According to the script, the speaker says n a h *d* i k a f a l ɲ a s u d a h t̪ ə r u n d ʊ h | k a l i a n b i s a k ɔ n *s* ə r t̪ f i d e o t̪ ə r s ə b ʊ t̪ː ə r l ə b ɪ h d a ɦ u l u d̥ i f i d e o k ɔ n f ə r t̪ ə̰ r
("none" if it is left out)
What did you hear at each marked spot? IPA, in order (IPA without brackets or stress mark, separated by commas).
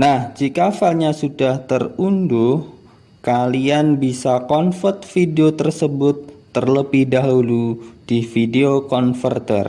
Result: d͡ʒ, f